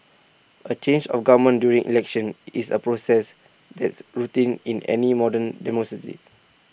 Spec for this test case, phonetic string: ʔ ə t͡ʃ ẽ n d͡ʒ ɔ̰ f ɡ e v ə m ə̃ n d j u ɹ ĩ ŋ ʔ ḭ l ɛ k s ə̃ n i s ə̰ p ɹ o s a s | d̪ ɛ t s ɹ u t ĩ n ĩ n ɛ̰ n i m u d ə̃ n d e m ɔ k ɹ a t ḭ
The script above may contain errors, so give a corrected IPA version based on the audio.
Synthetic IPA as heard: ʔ ə t͡ʃ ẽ n d͡ʒ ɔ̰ f ɡ a v ə m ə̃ n d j u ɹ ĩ ŋ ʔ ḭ l ɛ k ʃ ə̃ n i s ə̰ p ɹ o s ɛ s | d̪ ɛ t s ɹ u t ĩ n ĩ n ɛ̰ n i m ɔ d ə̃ n d ɛ m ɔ k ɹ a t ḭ